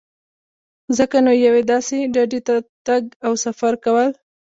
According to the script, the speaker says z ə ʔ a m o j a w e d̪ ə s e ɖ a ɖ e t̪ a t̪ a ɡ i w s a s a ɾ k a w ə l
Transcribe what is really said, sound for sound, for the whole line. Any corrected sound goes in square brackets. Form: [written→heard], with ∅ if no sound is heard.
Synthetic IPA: z ə [ʔ→k] a [m→n] o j a w e d̪ [ə→ɑ] s e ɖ a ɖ e t̪ a t̪ a ɡ [i→a] w s a [s→f] a ɾ k a w ə l